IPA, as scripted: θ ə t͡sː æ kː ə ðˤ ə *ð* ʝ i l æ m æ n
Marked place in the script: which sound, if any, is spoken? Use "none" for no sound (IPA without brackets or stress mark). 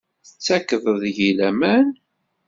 ð